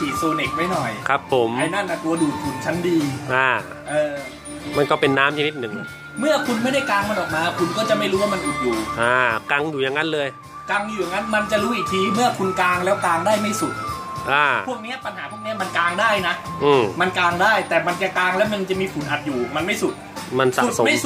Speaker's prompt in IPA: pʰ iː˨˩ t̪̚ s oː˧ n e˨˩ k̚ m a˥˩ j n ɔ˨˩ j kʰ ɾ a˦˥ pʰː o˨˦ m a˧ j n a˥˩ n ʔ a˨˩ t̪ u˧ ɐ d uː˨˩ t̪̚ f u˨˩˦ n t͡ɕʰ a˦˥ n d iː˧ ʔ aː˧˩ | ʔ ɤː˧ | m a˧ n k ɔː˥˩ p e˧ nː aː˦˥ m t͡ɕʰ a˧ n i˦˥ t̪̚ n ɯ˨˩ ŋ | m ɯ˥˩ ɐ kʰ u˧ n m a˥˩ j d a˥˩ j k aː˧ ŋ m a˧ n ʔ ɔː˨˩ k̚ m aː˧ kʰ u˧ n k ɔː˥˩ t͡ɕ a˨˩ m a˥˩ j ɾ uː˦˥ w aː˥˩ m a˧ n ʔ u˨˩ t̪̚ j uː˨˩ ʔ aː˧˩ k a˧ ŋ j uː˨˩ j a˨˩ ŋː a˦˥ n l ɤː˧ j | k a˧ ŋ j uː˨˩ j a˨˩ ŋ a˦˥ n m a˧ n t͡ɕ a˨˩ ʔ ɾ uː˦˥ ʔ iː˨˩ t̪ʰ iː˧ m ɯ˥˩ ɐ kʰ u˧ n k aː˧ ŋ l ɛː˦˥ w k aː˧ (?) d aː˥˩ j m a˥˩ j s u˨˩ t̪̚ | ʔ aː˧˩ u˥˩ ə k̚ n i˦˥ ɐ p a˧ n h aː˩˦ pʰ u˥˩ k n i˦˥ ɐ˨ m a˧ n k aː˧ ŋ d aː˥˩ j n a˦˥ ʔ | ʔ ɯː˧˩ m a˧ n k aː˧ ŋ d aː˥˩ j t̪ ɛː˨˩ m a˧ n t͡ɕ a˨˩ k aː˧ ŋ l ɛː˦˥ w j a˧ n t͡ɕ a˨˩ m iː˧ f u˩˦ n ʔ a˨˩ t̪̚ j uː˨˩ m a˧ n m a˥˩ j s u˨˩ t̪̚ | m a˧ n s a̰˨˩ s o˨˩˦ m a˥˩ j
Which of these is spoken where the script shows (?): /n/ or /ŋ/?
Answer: ŋ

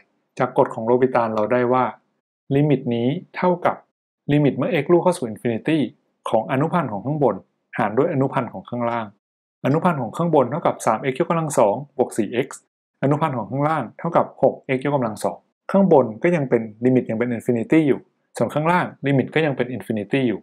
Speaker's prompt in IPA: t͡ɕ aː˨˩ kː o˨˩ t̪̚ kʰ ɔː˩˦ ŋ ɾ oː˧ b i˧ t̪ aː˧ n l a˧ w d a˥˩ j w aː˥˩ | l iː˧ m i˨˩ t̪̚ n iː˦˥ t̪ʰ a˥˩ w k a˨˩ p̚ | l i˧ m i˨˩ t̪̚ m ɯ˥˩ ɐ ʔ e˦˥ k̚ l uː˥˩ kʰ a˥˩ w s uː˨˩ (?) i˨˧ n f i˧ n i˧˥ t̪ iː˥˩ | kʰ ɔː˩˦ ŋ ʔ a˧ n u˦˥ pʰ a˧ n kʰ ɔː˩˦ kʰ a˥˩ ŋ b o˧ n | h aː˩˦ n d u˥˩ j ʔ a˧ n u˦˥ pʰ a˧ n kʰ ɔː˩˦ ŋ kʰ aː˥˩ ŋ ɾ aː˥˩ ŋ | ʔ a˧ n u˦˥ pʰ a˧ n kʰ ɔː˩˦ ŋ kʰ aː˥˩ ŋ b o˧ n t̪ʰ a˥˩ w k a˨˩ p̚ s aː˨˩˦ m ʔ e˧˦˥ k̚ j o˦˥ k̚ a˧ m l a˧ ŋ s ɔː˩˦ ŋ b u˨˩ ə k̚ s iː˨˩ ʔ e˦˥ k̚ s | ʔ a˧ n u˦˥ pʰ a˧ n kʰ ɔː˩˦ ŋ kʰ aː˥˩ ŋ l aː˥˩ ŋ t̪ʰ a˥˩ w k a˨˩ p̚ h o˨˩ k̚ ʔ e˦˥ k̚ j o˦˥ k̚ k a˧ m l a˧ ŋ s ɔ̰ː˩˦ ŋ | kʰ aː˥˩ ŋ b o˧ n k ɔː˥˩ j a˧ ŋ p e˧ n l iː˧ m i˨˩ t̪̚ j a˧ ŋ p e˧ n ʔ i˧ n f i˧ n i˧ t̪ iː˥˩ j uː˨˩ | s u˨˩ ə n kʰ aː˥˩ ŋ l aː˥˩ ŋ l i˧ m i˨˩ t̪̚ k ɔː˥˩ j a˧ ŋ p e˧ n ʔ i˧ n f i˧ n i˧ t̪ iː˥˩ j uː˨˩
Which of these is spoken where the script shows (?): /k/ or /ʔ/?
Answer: ʔ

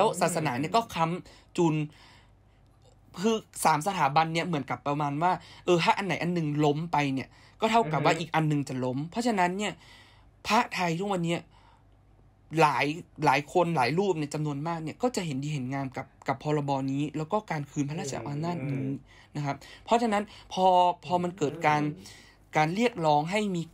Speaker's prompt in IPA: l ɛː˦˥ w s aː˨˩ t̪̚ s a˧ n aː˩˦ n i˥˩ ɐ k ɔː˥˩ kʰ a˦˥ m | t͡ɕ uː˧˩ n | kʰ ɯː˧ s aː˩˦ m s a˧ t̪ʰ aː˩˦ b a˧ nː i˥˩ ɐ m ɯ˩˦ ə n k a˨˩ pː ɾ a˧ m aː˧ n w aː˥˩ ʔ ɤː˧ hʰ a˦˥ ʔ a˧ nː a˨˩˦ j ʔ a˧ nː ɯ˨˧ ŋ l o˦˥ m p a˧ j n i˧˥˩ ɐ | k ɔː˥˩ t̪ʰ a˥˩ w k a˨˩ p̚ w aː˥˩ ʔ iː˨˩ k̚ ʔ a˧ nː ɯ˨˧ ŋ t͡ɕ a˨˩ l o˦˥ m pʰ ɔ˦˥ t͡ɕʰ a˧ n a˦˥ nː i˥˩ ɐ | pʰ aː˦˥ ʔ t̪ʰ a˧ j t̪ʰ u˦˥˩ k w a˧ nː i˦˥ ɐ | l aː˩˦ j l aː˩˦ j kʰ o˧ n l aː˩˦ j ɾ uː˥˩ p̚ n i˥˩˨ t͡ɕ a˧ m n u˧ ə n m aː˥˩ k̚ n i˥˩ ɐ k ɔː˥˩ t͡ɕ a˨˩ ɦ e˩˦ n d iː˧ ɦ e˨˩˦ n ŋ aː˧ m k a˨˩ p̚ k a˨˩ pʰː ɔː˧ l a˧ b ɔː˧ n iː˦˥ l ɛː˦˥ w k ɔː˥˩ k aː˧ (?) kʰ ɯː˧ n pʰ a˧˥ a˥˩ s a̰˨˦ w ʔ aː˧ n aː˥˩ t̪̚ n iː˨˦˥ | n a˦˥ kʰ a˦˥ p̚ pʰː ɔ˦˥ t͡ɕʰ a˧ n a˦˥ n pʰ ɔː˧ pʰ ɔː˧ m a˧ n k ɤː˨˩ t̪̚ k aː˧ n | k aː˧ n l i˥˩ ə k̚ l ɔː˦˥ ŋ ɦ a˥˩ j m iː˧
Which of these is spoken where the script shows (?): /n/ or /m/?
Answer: n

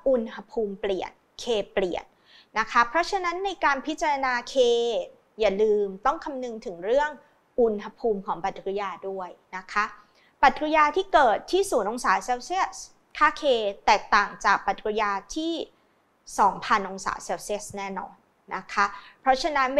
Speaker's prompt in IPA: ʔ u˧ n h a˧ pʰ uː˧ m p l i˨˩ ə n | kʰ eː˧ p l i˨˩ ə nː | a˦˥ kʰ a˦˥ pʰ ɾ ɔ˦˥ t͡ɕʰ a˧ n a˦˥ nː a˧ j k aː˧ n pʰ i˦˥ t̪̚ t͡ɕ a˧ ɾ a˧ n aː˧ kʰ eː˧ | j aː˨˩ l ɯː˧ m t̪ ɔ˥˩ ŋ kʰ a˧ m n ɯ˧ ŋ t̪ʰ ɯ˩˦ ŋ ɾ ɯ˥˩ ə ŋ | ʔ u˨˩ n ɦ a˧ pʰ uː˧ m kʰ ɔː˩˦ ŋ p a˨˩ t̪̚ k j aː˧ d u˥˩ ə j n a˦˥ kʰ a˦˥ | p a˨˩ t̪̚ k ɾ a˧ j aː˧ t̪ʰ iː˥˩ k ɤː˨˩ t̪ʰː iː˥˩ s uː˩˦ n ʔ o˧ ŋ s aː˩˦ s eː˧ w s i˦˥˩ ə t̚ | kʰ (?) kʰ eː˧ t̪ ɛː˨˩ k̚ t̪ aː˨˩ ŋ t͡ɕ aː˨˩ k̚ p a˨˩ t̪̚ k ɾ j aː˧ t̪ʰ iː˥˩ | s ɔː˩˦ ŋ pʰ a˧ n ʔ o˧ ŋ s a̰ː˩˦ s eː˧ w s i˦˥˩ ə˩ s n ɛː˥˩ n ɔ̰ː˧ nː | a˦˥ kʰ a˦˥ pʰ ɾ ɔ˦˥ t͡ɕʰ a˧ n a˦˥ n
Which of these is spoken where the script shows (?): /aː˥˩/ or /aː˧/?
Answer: aː˥˩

